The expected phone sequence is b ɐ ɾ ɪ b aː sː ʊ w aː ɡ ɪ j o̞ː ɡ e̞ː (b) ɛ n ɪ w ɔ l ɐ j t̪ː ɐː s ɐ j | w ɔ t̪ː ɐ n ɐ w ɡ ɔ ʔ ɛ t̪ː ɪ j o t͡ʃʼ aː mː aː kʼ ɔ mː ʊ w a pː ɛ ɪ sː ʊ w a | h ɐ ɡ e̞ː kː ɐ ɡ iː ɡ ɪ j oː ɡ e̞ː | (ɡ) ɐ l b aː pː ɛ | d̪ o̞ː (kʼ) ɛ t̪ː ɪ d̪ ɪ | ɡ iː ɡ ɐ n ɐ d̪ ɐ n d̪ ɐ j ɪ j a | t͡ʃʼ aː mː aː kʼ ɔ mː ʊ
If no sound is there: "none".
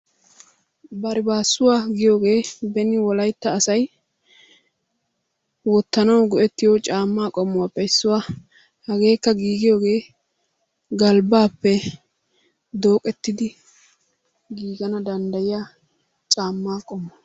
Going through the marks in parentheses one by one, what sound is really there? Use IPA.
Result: b, ɡ, kʼ

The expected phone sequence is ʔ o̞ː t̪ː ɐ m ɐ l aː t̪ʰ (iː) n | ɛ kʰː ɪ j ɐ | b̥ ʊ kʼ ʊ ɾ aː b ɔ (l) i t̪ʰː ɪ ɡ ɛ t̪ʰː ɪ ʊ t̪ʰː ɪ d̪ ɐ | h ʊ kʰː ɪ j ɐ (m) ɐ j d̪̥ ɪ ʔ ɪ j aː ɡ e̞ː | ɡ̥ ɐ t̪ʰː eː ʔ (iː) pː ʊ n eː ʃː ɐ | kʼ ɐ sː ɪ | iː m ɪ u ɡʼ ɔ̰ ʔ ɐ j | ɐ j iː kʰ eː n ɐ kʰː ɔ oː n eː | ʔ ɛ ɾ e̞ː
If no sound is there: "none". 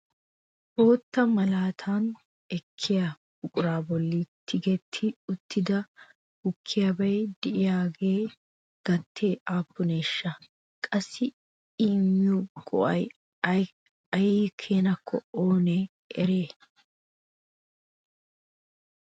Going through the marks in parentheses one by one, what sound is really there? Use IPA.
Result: aː, lː, b, aː

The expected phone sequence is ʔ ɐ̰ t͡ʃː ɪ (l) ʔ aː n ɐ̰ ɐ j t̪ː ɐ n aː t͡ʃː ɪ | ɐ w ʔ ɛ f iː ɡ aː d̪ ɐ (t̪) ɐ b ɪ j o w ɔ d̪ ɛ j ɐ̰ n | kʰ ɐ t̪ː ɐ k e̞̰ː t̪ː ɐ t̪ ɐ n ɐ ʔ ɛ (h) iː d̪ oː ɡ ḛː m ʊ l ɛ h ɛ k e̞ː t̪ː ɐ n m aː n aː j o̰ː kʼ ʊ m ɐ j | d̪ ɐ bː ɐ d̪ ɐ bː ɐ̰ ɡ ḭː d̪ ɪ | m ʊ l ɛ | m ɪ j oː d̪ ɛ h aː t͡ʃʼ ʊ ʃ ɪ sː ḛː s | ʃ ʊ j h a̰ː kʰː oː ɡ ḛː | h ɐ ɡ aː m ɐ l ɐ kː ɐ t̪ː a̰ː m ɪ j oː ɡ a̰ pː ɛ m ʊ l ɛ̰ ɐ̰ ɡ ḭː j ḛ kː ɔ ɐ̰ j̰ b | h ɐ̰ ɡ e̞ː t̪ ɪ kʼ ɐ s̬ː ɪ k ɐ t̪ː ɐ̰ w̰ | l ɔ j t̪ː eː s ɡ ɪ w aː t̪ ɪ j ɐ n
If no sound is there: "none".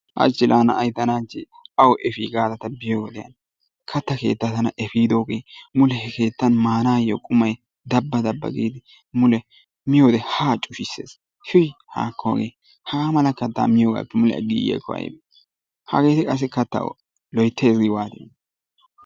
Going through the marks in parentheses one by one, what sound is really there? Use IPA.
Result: l, t̪, f

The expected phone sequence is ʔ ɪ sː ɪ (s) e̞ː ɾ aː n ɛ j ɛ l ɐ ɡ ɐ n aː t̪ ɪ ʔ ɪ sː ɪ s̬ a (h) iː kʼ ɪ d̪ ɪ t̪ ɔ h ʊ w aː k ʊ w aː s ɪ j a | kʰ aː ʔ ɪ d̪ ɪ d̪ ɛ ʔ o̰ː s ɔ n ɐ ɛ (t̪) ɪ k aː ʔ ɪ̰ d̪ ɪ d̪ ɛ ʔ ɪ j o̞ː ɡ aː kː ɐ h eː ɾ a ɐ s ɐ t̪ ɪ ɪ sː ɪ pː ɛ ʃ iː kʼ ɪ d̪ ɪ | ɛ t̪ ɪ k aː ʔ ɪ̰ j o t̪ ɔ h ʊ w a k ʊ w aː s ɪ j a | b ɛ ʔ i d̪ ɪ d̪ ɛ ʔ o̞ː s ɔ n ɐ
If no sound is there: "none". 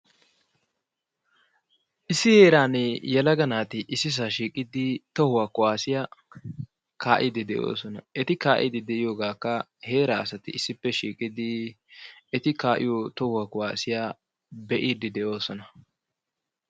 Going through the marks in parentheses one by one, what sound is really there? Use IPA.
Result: h, ʃ, t̪

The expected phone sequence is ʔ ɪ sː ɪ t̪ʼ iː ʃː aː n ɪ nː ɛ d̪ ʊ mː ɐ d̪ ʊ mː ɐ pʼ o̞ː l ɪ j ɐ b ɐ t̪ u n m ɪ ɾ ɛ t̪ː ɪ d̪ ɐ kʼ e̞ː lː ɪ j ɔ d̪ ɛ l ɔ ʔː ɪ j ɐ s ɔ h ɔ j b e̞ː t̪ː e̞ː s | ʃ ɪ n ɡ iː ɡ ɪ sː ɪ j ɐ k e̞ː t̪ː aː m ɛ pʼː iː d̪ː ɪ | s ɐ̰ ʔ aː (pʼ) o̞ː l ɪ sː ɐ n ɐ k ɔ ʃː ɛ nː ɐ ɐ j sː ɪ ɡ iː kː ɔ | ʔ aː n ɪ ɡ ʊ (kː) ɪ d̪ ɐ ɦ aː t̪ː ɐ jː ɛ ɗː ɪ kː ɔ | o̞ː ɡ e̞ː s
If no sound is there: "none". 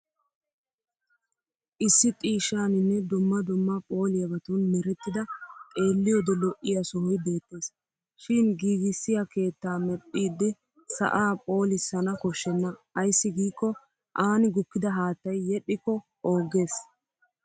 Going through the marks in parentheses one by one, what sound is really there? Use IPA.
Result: pʼ, kː

